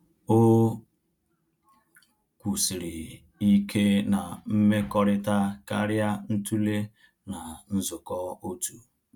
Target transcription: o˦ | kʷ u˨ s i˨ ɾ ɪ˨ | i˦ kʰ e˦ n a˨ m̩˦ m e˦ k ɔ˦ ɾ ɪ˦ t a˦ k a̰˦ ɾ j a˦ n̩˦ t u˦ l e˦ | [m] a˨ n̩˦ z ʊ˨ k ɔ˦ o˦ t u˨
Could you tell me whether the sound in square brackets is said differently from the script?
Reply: yes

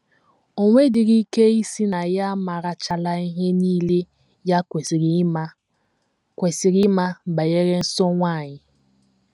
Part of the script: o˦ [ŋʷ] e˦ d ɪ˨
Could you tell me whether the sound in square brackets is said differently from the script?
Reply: no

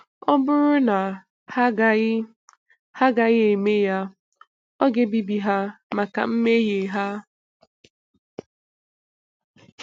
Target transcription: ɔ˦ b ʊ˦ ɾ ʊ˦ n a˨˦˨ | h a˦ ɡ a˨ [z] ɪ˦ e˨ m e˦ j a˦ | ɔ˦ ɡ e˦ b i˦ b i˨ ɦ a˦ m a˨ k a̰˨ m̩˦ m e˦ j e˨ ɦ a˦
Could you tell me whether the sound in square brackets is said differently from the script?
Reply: yes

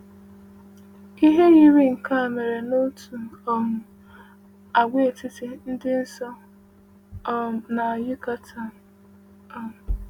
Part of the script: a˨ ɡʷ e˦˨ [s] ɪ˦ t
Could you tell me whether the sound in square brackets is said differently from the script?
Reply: yes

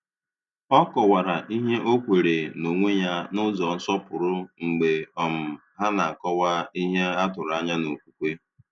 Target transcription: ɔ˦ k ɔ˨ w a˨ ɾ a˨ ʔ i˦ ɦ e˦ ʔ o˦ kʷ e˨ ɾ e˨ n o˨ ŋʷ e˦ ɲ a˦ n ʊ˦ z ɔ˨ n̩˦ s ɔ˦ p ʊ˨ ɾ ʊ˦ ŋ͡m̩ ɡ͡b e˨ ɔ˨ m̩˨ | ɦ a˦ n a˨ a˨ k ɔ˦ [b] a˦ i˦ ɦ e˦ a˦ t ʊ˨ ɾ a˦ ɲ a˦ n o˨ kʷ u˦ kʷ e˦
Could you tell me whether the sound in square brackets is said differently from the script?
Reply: yes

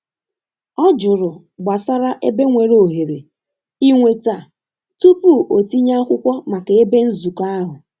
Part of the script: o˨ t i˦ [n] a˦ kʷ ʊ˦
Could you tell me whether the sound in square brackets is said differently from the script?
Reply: yes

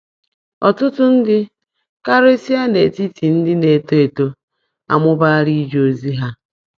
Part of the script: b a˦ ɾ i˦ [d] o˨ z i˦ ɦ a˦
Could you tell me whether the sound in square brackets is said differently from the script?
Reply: yes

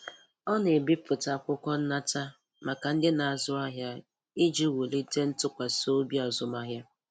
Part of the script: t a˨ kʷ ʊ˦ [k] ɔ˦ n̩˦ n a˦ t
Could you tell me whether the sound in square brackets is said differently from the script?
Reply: no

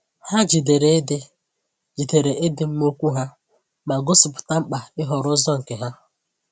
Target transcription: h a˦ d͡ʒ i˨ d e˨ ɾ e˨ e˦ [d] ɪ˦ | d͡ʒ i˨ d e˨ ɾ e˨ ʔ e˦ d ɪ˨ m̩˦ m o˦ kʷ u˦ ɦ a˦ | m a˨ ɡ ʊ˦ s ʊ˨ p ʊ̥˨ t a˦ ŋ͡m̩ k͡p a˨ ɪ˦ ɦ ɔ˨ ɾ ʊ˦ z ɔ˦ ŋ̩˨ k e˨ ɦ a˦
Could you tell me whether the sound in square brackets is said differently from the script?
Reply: no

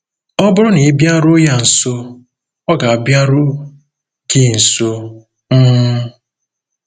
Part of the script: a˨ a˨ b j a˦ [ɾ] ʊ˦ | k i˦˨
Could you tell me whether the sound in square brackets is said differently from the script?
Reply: no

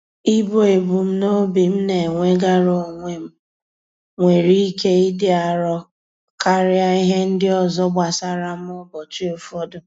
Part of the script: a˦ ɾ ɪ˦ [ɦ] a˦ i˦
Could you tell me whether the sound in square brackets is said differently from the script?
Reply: yes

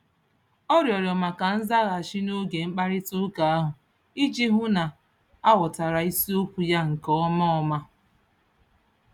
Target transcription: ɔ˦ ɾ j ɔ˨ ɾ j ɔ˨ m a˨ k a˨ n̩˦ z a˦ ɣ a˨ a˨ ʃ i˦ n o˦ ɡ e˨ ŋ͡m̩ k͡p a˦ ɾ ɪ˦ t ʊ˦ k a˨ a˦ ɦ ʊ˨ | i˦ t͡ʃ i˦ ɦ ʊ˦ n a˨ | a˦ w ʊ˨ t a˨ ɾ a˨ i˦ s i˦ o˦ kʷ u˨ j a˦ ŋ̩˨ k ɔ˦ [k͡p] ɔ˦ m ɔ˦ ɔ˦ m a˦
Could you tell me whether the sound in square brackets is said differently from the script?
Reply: yes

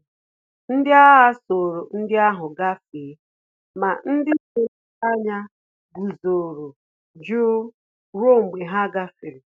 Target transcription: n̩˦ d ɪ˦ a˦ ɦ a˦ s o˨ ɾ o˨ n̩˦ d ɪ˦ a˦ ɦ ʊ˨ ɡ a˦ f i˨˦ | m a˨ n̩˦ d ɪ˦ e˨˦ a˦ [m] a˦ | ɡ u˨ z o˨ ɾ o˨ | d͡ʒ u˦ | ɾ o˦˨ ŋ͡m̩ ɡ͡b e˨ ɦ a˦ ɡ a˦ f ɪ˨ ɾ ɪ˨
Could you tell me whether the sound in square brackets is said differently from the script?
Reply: yes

